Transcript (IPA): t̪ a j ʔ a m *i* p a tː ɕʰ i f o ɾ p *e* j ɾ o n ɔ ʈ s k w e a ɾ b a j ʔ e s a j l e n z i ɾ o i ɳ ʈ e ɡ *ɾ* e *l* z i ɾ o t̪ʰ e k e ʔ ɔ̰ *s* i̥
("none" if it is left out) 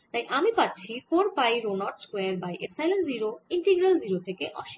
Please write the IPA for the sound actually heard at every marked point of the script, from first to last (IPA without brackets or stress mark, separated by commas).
i, a, ɾ, l, ʃ